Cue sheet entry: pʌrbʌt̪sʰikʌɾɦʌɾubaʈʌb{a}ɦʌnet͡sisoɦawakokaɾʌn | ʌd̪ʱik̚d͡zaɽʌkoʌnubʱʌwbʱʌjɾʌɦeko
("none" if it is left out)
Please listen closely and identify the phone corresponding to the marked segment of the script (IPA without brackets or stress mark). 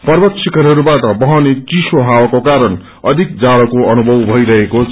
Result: ʌ